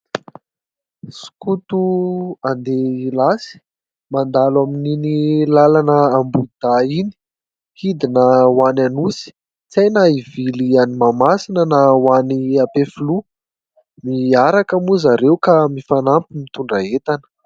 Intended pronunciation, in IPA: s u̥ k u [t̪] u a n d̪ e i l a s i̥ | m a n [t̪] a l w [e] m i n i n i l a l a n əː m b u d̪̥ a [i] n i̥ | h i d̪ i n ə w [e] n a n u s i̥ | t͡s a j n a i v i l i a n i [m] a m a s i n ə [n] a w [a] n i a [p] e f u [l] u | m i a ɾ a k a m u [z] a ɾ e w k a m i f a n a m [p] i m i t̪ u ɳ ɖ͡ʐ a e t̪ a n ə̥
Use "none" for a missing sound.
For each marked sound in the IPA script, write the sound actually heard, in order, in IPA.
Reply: t̪, d̪, a, i, a, m, n, a, p, l, z, p

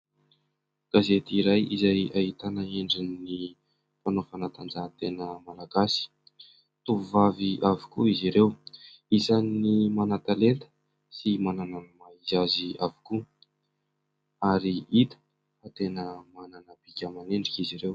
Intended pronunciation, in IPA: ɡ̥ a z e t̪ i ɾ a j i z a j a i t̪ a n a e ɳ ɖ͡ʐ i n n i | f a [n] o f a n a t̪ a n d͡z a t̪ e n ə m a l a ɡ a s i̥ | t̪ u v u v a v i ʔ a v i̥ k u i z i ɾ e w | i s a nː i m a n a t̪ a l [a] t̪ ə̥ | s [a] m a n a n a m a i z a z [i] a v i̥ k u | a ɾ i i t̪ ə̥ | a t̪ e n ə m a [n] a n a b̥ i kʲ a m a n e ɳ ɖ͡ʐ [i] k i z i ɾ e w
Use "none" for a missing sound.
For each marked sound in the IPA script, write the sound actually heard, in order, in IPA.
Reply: n, e, i, i, n, i

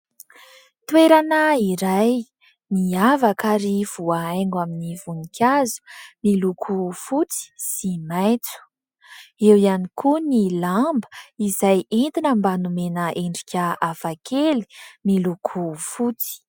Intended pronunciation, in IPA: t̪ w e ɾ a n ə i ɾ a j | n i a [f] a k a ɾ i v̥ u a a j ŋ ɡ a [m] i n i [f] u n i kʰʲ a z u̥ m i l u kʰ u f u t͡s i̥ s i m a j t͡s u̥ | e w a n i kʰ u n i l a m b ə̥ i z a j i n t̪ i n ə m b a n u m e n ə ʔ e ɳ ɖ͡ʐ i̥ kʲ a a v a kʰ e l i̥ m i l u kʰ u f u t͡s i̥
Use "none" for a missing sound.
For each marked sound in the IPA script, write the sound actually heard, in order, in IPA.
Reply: v, m, v

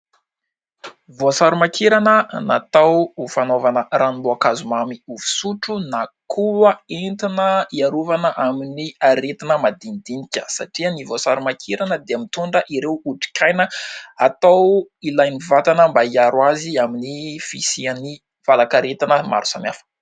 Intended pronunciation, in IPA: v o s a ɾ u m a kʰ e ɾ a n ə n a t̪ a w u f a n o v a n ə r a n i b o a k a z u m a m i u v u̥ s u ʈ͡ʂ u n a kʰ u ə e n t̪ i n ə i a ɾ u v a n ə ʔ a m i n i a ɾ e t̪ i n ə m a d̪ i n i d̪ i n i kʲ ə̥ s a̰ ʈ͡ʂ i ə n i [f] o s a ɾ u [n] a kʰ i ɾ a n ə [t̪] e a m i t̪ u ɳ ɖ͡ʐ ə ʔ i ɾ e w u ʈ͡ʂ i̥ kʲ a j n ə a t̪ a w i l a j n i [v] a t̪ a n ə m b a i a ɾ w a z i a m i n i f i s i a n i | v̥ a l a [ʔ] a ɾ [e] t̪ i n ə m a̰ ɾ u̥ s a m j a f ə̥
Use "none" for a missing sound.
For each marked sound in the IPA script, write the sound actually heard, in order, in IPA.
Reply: v, m, d̪, v, k, e

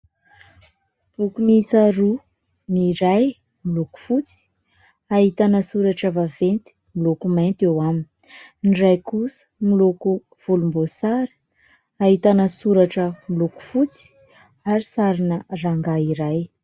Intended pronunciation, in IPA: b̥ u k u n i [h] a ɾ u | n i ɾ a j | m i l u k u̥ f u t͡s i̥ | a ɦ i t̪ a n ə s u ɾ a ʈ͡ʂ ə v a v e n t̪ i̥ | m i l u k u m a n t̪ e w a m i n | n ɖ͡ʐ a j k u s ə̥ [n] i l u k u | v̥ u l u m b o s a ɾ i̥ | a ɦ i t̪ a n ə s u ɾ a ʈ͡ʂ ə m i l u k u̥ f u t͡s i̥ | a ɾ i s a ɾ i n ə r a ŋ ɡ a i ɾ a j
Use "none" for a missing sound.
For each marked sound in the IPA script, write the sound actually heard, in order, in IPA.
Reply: s, m

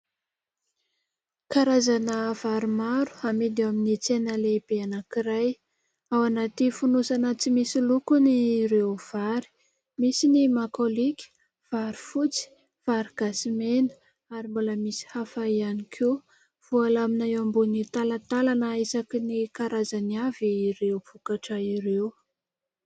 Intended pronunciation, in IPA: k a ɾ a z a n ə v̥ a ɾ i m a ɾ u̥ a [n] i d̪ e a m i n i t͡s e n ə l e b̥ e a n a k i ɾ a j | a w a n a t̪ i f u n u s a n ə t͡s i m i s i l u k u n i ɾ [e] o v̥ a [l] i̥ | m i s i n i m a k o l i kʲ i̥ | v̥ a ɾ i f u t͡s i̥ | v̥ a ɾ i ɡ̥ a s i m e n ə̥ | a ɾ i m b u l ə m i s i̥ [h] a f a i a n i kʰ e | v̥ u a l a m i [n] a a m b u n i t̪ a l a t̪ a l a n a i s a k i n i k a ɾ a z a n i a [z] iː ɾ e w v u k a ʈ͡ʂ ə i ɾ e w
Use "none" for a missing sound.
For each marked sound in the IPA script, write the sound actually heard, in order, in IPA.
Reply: m, e, ɾ, h, n, v

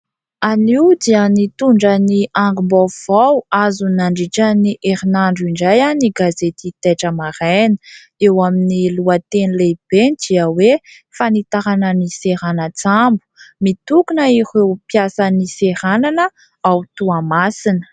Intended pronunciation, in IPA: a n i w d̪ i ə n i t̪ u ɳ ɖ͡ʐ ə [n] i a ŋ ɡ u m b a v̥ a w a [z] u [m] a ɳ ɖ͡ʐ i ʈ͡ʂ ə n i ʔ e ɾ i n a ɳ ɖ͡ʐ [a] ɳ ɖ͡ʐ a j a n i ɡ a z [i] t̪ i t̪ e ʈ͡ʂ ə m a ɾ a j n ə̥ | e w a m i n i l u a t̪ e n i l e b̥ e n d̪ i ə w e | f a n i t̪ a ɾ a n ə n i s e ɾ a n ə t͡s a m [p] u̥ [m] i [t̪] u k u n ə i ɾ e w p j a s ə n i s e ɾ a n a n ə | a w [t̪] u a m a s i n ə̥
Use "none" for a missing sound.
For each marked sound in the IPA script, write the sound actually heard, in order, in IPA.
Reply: n, z, n, i, e, b, m, t̪, t̪

